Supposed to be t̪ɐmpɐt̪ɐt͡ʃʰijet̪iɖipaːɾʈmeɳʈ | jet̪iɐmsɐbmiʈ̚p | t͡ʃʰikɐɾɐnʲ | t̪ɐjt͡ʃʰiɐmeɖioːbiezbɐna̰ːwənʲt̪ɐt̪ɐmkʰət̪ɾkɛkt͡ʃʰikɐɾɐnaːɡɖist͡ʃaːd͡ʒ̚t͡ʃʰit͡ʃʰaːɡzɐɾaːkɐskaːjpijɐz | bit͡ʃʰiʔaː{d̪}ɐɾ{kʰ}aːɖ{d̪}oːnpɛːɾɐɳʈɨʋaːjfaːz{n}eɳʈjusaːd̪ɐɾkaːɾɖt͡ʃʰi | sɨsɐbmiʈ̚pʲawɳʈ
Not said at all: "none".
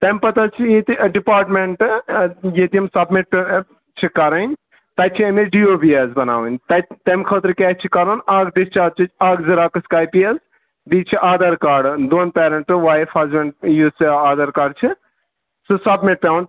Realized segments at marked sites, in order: d̪, k, d̪, m

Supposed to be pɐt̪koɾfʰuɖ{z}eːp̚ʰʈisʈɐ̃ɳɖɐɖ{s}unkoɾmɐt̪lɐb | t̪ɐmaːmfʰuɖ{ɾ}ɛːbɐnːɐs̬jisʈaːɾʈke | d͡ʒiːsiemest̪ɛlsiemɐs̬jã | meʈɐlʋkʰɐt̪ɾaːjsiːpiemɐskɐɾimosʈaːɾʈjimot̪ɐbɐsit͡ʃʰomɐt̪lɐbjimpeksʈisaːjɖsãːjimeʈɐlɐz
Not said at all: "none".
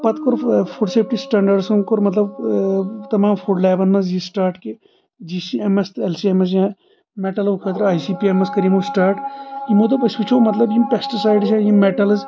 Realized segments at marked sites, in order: s, s, l

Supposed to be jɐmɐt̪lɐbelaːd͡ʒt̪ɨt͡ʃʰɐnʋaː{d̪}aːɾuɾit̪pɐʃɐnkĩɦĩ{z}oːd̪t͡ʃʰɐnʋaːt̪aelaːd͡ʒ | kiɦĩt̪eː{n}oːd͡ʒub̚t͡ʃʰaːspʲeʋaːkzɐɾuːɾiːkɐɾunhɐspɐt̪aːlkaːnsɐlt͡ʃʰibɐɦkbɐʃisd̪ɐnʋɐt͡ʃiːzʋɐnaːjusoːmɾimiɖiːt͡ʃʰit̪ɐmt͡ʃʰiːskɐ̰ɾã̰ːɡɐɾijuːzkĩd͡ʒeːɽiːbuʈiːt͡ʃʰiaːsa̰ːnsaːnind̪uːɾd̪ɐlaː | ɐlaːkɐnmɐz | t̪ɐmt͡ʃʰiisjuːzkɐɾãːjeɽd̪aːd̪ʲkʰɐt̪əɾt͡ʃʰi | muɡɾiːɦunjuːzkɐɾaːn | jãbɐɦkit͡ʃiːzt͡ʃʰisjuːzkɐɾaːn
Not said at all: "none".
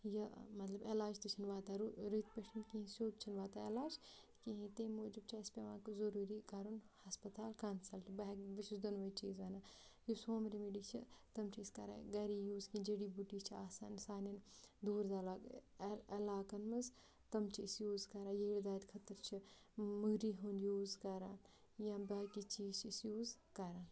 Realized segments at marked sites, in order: t̪, s, m

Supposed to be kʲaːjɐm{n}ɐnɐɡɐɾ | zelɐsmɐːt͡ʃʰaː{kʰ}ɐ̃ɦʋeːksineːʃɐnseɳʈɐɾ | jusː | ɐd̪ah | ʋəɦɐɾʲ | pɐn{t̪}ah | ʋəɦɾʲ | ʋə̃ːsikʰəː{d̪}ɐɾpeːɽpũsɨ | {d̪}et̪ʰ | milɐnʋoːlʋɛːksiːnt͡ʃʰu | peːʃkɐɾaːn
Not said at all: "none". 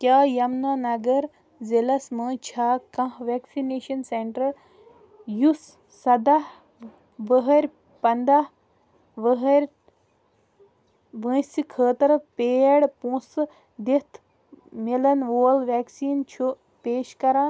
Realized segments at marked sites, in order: n, k, d̪, t̪, d̪

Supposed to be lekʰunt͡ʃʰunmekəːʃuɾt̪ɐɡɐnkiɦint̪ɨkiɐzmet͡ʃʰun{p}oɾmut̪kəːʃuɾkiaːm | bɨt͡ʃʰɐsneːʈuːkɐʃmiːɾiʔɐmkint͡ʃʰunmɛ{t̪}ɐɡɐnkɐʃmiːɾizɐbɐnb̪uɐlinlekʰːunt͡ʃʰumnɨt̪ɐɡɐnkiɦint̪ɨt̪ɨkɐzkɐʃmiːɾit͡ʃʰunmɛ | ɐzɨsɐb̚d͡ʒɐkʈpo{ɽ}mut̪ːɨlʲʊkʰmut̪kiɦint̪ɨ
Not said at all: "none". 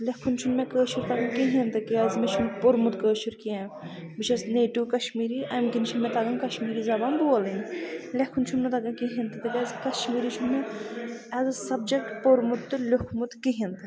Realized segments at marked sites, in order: p, t̪, ɾ

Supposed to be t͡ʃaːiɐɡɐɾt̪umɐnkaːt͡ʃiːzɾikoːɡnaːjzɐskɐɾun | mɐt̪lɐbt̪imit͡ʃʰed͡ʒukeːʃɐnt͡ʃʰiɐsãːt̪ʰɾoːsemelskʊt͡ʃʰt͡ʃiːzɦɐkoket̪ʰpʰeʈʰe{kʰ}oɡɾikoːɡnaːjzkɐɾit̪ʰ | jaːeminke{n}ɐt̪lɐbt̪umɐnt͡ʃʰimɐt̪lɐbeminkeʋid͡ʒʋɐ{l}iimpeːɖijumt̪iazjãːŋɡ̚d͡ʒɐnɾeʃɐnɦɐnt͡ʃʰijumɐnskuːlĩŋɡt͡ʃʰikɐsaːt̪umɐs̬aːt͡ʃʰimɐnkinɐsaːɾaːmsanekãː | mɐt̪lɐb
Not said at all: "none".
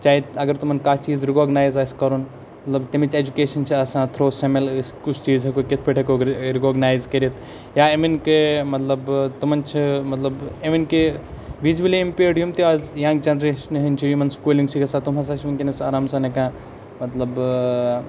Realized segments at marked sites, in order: k, m, l

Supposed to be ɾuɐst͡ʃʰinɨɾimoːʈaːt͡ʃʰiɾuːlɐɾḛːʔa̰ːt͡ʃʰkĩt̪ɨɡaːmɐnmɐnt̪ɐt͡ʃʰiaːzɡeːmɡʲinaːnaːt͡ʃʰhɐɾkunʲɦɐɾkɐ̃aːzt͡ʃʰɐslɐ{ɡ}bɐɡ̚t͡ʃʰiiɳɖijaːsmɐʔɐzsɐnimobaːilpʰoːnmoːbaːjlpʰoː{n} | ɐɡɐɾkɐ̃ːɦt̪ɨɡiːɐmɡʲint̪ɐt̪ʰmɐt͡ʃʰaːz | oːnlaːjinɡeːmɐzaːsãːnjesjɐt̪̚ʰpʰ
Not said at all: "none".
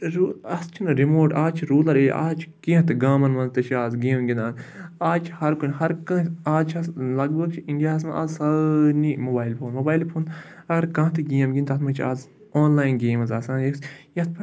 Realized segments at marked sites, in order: ɡ, n

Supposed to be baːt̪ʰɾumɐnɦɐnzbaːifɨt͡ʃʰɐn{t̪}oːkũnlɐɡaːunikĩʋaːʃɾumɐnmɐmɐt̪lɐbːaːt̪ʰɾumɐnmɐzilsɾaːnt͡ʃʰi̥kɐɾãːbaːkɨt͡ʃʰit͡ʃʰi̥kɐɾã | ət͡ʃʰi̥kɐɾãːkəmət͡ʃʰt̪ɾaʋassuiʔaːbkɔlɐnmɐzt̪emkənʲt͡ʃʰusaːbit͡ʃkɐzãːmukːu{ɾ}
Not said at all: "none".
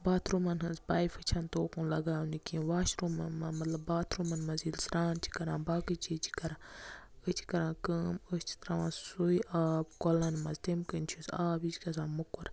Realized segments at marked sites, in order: t̪, ɾ

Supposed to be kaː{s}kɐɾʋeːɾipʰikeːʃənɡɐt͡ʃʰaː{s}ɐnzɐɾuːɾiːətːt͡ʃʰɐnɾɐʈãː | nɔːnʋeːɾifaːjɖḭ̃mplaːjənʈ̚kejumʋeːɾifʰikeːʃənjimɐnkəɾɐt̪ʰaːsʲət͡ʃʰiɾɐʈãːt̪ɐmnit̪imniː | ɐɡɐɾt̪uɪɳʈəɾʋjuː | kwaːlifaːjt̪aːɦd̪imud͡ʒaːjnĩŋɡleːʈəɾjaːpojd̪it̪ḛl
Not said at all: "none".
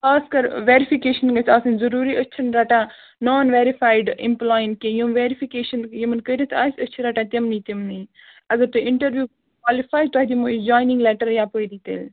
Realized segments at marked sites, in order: s, s

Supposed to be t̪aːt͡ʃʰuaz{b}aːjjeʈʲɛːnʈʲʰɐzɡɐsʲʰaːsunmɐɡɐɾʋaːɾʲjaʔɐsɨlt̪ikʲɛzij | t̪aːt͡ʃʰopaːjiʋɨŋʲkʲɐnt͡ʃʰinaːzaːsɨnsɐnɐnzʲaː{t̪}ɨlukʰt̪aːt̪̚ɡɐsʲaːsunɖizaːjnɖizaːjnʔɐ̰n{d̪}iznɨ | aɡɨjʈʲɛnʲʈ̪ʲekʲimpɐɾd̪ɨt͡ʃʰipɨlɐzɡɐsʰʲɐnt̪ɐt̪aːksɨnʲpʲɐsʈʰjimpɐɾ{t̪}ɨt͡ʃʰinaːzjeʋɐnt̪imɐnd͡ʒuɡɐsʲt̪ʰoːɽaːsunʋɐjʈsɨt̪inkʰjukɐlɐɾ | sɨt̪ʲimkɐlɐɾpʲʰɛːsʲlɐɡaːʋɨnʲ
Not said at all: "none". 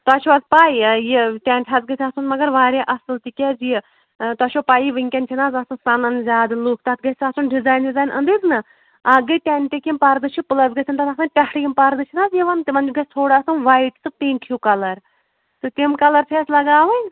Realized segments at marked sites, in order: p, d̪, d̪, d̪

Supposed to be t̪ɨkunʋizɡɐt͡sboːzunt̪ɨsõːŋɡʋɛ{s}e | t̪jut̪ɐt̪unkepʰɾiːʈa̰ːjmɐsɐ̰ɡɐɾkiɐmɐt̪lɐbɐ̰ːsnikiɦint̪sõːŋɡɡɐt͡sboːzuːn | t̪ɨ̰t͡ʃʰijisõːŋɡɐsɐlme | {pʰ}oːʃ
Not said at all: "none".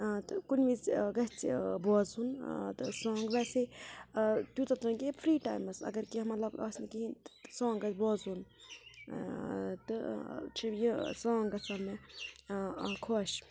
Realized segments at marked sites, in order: s, kʰ

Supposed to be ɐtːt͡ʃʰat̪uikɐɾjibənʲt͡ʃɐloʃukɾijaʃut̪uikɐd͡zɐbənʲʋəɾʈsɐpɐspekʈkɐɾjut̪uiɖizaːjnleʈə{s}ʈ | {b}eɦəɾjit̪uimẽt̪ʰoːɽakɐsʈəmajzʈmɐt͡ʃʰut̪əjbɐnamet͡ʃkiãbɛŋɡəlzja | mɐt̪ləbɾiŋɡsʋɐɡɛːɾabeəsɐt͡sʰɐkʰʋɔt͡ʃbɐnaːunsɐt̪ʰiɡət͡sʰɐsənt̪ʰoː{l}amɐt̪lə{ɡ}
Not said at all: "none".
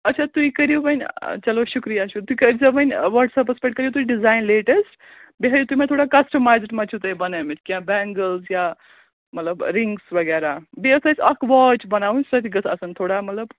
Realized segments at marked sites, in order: s, b, ɽ, b

